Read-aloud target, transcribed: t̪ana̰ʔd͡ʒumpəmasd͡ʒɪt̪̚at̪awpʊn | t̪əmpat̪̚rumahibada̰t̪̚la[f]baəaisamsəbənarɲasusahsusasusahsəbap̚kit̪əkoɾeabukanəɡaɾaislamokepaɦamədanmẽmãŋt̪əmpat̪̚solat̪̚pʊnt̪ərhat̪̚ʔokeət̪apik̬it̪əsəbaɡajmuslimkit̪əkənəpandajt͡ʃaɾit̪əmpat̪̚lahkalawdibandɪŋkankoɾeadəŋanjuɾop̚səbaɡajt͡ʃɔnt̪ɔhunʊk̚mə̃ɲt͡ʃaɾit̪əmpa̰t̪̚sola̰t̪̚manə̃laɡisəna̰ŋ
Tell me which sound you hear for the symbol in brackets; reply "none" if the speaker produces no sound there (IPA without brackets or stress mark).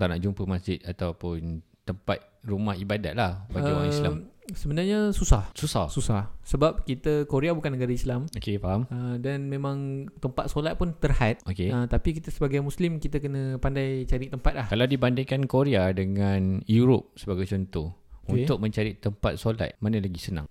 h